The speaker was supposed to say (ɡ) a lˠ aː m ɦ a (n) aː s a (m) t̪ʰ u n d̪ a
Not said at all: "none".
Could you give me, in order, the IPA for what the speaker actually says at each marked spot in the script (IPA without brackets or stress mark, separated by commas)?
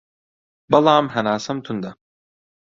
b, n, m